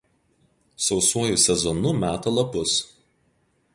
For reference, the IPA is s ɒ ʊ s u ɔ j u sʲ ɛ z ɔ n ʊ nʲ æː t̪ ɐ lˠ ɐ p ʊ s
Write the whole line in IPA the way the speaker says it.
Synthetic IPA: s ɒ ʊ s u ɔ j u sʲ ɛ z ɔ n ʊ mʲ æː t̪ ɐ lˠ ɐ p ʊ s